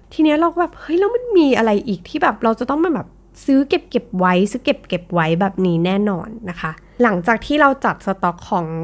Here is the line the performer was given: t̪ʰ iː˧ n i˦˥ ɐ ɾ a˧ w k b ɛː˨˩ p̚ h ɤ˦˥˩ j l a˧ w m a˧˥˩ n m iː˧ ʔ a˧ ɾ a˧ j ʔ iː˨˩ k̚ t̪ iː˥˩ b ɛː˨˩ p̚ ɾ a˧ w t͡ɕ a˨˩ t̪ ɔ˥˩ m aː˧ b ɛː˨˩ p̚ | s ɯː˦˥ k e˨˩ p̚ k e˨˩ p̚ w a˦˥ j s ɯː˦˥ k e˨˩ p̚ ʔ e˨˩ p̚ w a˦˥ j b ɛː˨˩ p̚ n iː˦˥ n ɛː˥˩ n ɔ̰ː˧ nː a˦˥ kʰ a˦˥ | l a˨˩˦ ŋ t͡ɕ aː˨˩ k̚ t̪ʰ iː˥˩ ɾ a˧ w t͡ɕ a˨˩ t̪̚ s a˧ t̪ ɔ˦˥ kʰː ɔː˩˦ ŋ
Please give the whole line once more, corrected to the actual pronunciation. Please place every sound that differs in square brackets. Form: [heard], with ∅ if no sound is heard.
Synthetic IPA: t̪ʰ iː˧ n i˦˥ ɐ ɾ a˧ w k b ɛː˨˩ p̚ h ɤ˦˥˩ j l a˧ w m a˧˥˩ n m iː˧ ʔ a˧ ɾ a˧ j ʔ iː˨˩ k̚ [t̪ʰ] iː˥˩ b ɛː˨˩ p̚ ɾ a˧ w t͡ɕ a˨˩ t̪ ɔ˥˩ m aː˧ b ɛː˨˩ p̚ | s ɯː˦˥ k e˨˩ p̚ k e˨˩ p̚ w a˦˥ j s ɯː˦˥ k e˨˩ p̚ [k] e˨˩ p̚ w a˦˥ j b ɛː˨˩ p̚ n iː˦˥ n ɛː˥˩ n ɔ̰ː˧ nː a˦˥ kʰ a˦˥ | l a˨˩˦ ŋ t͡ɕ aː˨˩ k̚ t̪ʰ iː˥˩ ɾ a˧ w t͡ɕ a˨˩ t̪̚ s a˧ t̪ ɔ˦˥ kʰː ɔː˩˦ ŋ